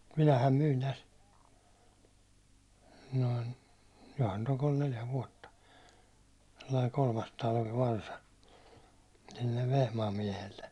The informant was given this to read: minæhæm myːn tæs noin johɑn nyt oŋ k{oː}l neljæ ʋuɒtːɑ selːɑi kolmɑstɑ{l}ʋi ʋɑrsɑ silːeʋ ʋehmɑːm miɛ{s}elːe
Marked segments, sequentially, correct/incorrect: incorrect: o, correct, incorrect: h

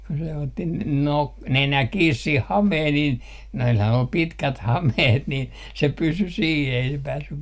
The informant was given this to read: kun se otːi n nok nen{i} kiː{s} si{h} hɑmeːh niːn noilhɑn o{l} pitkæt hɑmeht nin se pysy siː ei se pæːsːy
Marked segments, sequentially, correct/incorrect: incorrect: æ, correct, correct, correct

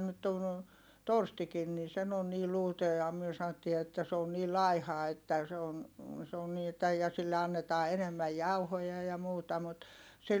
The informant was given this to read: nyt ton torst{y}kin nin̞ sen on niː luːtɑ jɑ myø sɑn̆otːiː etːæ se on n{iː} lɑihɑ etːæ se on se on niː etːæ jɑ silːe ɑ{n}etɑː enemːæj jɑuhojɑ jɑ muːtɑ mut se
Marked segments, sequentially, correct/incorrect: incorrect: i, correct, incorrect: nː

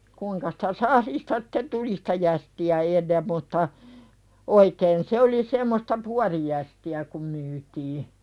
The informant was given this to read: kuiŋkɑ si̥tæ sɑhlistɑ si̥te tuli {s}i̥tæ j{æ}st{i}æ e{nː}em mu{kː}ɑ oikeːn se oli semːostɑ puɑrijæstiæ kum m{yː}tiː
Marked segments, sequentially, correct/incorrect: correct, correct, correct, correct, incorrect: tː, correct

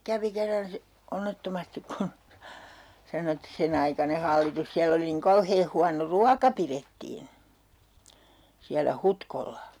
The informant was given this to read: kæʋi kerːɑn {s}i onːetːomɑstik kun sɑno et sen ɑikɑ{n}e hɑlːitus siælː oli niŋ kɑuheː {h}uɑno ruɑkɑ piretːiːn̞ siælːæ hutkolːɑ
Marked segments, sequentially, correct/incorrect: correct, correct, correct

